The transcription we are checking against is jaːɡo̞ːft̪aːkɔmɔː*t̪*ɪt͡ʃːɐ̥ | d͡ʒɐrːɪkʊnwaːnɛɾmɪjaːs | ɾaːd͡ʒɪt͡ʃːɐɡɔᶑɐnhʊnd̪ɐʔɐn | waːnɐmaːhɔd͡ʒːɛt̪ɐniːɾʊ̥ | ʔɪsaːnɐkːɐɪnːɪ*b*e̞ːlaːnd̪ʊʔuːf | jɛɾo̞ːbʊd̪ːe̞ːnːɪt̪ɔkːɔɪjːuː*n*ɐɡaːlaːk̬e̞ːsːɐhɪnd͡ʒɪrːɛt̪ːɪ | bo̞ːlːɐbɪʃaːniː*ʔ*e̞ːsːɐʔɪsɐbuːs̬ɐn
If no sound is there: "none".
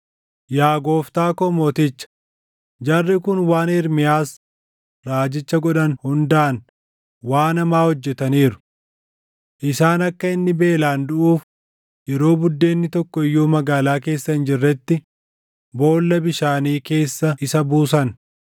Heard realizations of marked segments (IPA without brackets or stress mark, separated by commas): t̪, b, m, k